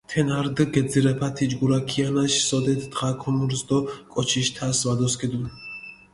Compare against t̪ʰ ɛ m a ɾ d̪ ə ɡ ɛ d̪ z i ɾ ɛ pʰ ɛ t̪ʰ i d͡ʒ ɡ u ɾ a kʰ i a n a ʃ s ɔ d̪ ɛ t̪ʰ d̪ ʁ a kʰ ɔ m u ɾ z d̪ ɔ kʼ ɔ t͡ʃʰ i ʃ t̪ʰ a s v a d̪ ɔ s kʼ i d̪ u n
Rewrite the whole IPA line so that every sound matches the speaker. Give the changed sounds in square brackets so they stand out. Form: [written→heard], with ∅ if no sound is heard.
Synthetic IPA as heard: t̪ʰ ɛ [m→n] a ɾ d̪ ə ɡ ɛ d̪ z i ɾ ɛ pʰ [ɛ→a] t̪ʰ i d͡ʒ ɡ u ɾ a kʰ i a n a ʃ s ɔ d̪ ɛ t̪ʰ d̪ ʁ a kʰ ɔ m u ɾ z d̪ ɔ kʼ ɔ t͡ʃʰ i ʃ t̪ʰ a s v a d̪ ɔ s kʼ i d̪ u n